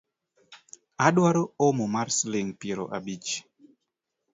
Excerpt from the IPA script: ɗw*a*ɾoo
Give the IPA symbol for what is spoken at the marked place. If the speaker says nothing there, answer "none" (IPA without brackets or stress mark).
a